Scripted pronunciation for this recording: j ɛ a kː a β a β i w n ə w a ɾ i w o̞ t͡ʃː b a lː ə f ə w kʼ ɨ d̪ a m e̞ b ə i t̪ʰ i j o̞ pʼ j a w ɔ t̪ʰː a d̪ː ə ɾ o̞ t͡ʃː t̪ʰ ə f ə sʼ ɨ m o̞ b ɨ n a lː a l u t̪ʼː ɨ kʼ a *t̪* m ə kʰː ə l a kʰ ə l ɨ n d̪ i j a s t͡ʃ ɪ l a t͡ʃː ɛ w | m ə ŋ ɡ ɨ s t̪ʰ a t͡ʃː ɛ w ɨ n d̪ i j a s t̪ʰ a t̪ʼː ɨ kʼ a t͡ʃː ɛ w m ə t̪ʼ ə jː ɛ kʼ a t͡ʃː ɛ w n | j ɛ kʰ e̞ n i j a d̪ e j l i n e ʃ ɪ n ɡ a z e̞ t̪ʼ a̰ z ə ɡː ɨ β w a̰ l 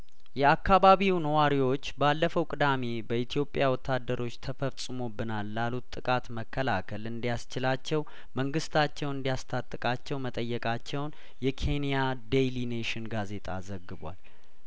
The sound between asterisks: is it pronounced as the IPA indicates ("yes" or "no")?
yes